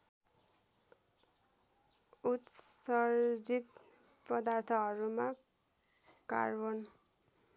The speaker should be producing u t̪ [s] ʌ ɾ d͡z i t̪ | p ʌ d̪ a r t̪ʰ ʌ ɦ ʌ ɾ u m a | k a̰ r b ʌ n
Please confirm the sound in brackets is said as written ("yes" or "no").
yes